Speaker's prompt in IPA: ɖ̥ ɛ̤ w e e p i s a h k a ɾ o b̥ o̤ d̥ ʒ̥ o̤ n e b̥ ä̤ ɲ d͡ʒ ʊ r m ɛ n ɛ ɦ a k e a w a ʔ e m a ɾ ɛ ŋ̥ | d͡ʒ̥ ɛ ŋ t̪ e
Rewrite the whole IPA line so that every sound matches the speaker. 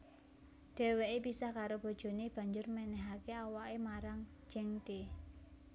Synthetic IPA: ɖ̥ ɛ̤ w e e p i s a h k a ɾ o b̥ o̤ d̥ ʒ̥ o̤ n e b̥ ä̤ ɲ d͡ʒ ʊ r m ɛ n ɛ ɦ a k e a w a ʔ e m a ɾ a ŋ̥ | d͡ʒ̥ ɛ ŋ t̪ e